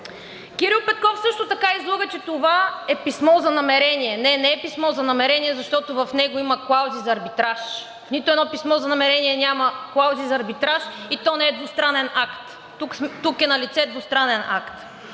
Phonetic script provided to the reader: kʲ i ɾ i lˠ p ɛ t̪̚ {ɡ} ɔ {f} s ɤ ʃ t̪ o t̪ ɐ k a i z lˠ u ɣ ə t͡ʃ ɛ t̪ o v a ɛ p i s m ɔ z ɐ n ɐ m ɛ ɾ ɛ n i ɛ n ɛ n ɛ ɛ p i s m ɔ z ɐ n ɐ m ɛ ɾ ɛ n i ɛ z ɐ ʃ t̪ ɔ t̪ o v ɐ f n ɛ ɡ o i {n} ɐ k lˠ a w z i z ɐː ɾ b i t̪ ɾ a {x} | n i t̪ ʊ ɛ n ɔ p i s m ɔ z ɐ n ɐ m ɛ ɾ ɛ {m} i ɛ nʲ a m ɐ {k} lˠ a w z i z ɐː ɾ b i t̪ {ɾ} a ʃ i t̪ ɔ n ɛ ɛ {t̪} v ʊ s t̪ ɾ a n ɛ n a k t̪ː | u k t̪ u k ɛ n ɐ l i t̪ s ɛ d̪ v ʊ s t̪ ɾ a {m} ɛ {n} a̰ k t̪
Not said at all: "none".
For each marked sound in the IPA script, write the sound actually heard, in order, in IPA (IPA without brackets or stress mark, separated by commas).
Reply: k, f, m, ʃ, n, k, ɾ, d̪, n, n